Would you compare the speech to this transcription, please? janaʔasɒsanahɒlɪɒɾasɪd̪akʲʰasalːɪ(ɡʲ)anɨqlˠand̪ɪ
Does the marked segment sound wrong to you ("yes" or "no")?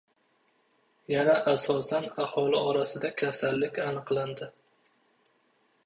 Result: yes